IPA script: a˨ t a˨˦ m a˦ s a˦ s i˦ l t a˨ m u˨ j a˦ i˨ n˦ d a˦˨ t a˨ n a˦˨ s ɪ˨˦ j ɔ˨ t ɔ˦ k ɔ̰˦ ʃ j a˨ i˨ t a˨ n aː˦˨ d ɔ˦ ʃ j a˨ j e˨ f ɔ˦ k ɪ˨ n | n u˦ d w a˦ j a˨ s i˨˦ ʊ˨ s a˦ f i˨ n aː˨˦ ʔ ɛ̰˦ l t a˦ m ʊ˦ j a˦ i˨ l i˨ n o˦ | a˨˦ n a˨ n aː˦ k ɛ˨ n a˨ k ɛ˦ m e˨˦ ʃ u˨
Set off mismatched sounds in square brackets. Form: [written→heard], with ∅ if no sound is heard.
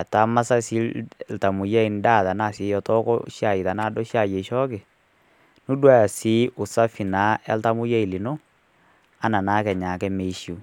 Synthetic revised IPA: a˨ t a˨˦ m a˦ s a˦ s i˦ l t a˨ m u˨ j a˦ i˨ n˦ d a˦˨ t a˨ n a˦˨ s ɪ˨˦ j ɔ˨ t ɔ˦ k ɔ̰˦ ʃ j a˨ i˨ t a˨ n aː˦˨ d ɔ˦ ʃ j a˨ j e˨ [f→ʃ] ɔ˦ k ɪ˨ [n→∅] | n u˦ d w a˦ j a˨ s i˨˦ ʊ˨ s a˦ f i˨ n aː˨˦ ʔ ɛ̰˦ l t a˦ m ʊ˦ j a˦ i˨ l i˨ n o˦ | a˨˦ n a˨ n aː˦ k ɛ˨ [n→ɲ] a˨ k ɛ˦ m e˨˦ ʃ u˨